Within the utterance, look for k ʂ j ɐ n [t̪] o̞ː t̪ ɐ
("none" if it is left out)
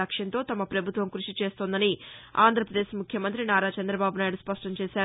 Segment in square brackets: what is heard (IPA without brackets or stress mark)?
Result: t̪